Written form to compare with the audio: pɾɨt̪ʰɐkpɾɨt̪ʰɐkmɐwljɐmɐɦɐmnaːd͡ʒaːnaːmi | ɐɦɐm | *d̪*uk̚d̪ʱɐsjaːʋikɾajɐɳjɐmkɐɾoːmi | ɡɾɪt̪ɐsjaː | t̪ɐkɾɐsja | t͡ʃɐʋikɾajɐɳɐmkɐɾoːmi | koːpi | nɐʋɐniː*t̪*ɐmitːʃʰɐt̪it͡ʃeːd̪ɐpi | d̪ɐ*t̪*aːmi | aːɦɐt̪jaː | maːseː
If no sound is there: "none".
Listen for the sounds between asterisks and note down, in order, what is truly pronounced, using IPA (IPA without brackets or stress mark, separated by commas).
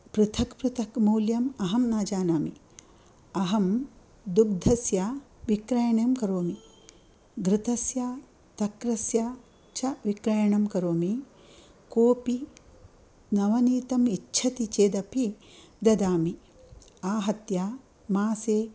d̪, t̪, d̪